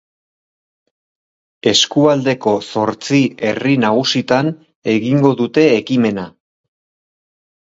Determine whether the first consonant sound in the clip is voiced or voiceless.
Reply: voiceless